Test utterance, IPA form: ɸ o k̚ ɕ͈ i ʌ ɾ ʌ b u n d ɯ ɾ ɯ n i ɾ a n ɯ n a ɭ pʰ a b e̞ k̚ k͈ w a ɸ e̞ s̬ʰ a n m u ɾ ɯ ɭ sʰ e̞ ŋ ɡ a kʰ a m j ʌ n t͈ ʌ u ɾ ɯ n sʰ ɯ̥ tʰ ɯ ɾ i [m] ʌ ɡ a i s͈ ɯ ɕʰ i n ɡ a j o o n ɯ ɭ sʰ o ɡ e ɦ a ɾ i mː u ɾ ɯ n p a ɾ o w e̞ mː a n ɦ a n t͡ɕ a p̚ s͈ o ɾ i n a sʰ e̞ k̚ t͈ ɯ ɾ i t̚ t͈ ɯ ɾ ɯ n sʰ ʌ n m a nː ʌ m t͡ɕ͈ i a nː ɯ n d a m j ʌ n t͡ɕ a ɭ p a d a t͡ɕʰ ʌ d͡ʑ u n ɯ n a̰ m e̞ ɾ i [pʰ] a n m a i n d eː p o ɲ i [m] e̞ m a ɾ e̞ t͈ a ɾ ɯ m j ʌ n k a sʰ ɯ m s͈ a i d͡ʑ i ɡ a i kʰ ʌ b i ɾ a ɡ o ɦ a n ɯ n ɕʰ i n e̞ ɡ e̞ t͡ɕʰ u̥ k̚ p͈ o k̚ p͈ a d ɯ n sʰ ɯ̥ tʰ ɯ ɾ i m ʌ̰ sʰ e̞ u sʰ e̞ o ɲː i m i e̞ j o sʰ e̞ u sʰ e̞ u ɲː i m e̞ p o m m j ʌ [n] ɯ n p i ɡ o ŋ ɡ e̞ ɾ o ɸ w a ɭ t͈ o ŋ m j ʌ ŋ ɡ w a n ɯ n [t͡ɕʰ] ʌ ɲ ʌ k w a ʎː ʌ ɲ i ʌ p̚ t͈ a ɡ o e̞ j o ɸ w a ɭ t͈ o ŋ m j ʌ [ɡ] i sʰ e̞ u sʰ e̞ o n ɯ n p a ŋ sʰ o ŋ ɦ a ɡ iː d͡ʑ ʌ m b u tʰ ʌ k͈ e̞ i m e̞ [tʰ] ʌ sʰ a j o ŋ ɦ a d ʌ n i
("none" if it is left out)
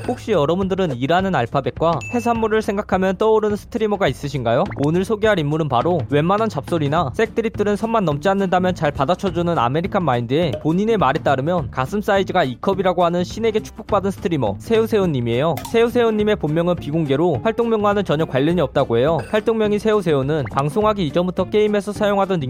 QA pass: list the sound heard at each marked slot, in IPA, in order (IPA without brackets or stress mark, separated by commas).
m, kʰ, n, ŋ, t͡ɕ, ŋ, sʰ